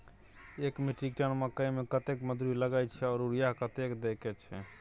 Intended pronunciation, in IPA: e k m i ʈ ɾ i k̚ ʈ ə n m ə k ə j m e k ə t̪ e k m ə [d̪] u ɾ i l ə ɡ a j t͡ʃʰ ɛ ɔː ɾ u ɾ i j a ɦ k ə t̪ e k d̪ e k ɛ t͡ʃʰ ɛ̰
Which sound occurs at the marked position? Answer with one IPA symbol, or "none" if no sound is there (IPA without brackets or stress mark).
d̪